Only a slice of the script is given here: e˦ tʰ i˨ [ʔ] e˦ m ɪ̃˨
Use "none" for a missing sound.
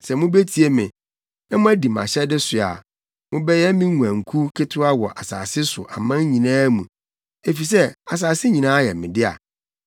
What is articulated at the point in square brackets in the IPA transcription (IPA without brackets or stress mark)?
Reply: none